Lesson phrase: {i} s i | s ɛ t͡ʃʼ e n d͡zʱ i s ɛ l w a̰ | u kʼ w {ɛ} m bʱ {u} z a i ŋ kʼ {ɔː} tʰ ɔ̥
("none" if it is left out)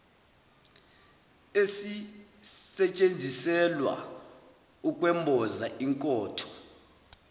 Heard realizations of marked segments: e, ɛ, ɔ, ɔː

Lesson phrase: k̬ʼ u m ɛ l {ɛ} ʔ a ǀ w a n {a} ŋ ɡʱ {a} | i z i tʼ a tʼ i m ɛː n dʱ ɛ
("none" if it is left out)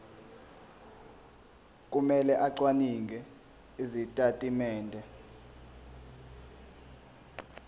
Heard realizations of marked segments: ɛ, i, ɛ

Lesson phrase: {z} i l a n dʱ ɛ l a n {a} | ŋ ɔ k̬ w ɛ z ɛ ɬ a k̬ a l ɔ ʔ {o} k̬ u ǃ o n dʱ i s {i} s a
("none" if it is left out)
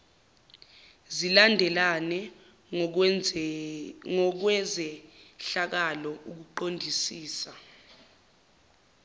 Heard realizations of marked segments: z, ɛ, u, iː

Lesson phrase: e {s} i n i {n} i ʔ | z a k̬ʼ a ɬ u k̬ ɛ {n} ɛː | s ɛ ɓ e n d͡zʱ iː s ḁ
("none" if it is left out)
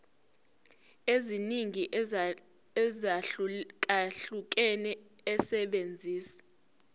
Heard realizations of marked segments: z, ŋ, n

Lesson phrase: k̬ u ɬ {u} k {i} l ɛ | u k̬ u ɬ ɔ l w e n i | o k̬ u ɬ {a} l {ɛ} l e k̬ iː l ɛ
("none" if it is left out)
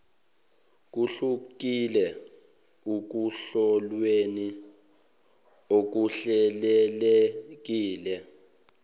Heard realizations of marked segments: u, i, ɛ, ɛ

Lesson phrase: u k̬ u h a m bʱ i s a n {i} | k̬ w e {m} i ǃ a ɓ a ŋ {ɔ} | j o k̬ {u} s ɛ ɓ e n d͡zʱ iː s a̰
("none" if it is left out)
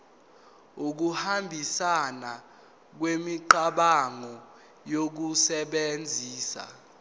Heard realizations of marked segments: a, m, ɔ, u

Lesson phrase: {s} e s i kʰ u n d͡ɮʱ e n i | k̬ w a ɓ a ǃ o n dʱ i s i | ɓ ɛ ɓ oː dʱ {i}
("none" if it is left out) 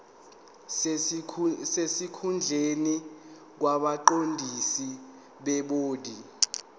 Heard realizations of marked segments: s, i

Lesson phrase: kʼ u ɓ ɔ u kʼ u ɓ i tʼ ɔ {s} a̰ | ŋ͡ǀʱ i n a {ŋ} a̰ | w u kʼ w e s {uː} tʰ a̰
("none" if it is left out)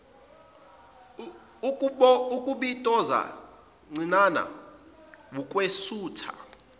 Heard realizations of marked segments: z, n, uː

